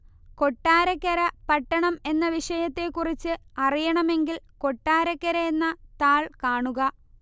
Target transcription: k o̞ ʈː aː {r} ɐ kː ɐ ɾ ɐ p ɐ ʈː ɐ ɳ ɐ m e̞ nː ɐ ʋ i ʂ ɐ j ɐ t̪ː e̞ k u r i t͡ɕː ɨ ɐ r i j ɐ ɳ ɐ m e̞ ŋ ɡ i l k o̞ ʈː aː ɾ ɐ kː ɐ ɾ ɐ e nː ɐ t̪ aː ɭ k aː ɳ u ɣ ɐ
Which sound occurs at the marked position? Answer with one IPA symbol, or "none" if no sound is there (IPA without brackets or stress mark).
ɾ